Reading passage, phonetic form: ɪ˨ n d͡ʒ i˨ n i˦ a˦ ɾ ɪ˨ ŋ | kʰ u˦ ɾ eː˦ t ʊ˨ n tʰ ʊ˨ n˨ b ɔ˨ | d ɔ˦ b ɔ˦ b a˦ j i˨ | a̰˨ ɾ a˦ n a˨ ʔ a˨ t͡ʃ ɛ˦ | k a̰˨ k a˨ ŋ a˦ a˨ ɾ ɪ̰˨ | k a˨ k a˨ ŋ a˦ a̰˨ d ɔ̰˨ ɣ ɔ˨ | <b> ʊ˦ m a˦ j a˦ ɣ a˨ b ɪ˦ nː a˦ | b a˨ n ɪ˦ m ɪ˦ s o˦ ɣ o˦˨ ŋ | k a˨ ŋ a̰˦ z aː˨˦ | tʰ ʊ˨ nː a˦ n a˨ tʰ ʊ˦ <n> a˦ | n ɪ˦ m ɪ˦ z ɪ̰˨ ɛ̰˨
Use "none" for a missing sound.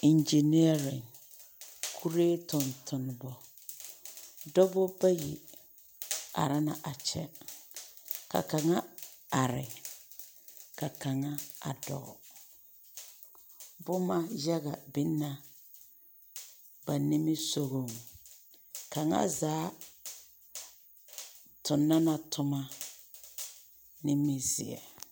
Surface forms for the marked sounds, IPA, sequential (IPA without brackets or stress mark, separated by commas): b, m